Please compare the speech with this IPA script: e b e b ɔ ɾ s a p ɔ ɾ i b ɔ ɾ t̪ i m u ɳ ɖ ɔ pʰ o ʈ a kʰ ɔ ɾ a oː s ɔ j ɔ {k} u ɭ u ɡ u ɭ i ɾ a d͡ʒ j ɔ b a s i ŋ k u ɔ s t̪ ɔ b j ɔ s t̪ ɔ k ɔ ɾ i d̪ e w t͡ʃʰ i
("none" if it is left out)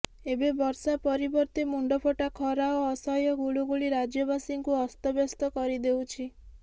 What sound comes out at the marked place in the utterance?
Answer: ɡ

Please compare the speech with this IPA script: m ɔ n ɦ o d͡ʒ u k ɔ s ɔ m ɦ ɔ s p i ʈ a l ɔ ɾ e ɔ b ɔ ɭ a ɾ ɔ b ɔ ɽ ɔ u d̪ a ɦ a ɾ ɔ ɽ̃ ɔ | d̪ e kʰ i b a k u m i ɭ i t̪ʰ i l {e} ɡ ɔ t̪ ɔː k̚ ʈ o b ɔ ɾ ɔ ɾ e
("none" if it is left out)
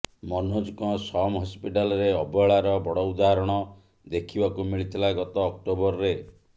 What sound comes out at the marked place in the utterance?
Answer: a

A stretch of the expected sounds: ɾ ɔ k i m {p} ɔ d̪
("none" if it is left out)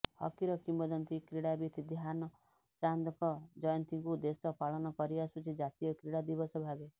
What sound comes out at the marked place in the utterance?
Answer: b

